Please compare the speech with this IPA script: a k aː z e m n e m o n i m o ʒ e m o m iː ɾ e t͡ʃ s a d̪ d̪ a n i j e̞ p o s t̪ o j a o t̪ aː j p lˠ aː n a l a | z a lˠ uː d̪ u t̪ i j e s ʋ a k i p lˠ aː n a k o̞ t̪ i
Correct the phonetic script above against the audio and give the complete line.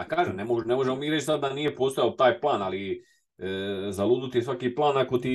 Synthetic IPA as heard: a k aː ʒ e m n e m o n e m o ʒ e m o m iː ɾ e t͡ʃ s a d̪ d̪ a n i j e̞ p o s t̪ o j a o t̪ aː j p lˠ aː n a l i | z a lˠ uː d̪ u t̪ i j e s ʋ a k i p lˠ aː n a k o̞ t̪ i